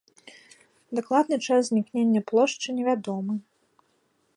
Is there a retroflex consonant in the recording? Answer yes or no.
yes